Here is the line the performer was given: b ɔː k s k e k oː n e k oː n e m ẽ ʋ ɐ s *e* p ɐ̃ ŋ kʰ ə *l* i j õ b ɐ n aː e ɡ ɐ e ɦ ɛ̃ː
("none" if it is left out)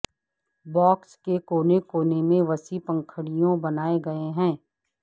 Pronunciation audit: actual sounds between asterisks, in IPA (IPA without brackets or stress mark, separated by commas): i, ɽ